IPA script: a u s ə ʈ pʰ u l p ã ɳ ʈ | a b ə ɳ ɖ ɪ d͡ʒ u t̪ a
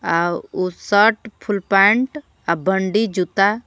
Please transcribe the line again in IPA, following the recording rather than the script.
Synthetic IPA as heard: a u s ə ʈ pʰ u l p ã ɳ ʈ | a b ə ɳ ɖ i d͡ʒ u t̪ a